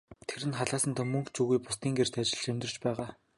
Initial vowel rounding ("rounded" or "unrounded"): unrounded